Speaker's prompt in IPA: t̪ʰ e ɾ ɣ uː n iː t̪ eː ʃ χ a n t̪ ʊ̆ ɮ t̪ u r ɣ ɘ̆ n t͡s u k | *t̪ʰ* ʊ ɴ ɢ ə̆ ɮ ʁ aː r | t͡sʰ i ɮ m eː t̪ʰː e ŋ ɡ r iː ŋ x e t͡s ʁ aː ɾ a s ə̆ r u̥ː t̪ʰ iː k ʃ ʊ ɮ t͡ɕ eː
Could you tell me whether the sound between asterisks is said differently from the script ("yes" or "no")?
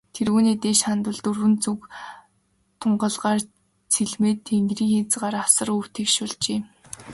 no